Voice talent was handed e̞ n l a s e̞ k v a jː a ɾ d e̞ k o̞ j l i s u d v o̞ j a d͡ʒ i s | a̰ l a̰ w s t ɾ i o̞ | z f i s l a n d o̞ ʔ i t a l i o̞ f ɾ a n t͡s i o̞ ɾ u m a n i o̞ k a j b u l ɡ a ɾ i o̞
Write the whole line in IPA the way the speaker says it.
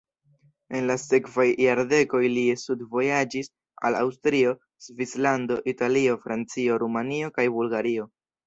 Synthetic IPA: e̞ n l a s e̞ k v a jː a ɾ d e̞ k o̞ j l i s u d v o̞ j a d͡ʒ i s | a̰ l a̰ w s t ɾ i o̞ | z v i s l a n d o̞ ʔ i t a l i o̞ f ɾ a n t͡s i o̞ ɾ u m a n i o̞ k a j b u l ɡ a ɾ i o̞